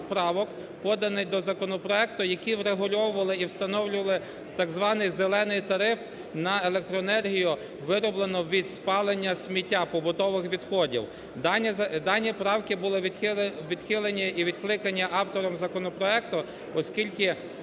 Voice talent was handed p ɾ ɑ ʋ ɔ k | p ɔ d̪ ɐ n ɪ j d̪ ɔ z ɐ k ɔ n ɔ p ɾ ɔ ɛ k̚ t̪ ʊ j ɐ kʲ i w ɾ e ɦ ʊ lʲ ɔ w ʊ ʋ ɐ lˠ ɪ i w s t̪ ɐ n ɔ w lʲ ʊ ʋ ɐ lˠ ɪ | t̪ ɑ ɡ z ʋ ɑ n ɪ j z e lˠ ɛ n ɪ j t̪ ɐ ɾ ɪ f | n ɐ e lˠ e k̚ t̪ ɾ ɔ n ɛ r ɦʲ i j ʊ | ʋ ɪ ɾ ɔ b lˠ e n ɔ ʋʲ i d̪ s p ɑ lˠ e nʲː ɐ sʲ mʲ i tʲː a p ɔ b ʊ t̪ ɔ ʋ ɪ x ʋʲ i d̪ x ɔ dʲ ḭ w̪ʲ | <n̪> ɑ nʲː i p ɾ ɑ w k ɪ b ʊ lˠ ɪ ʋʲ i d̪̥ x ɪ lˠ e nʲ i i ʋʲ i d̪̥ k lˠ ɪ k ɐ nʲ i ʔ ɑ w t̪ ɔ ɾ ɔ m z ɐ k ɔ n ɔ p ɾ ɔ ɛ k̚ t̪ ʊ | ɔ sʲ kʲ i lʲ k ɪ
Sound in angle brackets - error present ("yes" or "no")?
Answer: yes